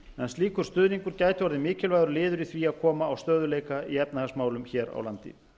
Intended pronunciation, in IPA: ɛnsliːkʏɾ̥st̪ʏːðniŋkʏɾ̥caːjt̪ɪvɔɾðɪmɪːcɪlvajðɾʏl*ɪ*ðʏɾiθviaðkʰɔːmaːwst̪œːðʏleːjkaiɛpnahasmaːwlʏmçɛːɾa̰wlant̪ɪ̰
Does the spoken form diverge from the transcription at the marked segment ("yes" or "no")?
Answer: yes